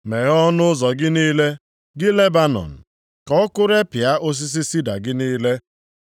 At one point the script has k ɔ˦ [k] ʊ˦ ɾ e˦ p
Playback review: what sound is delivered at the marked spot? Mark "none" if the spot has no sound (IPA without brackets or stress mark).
k